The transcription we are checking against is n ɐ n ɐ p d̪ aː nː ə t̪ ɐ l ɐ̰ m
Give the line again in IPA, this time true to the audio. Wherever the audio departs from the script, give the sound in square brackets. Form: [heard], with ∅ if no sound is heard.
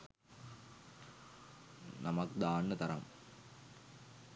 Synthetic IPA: n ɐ [m] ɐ [k] d̪ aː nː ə t̪ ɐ [ɾ] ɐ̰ m